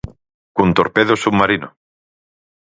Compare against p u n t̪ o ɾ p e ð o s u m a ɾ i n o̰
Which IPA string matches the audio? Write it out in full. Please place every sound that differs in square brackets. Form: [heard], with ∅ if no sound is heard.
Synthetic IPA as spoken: [k] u n t̪ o ɾ p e ð o s u m a ɾ i n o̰